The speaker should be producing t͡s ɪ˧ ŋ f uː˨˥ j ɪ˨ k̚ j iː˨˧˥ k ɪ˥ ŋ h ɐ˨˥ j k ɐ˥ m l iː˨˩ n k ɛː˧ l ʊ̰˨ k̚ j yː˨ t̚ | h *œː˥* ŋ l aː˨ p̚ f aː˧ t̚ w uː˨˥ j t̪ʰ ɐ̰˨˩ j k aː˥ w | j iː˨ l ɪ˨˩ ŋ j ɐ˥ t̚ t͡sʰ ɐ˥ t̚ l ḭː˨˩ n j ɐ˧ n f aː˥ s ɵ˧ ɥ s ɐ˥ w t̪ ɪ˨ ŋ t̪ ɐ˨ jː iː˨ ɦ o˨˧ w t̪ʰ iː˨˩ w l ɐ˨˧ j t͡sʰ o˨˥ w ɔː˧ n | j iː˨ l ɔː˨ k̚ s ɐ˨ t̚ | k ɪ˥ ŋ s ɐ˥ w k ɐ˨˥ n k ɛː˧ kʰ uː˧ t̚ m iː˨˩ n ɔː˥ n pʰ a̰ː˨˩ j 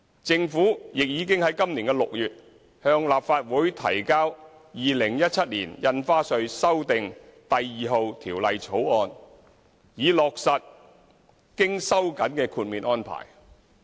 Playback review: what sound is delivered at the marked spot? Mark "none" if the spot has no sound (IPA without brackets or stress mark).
œː˧